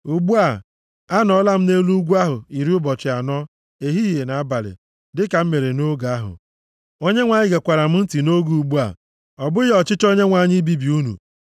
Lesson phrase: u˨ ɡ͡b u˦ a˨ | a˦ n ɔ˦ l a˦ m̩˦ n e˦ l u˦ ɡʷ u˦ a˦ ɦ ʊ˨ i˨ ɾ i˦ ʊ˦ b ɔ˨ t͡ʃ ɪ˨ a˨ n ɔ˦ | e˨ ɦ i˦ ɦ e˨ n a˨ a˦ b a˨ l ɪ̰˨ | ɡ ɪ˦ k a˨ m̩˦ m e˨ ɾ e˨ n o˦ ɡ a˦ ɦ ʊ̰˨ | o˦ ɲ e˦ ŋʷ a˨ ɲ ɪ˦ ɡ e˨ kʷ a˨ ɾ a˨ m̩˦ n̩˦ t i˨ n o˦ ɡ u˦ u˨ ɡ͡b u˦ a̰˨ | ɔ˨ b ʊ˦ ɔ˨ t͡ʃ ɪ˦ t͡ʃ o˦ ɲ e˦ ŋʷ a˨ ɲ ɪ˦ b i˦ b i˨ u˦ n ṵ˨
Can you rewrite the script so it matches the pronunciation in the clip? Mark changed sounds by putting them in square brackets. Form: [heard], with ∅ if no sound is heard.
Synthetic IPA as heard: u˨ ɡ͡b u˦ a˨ | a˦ n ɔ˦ l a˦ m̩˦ n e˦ l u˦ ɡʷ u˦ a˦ ɦ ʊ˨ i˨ ɾ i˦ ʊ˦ b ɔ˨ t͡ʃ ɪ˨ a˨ n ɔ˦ | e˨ ɦ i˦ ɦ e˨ n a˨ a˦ b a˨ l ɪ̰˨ | [d] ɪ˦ k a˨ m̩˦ m e˨ ɾ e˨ n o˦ ɡ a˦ ɦ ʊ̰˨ | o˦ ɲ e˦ ŋʷ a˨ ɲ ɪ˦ ɡ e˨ kʷ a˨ ɾ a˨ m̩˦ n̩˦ t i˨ n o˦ ɡ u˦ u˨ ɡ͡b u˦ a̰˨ | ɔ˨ b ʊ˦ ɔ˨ t͡ʃ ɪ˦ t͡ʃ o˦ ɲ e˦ ŋʷ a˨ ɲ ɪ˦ b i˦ b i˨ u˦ n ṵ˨